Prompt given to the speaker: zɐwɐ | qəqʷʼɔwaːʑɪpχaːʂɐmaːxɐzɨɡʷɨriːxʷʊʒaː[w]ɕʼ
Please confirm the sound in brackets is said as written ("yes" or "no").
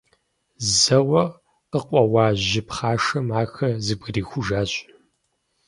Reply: no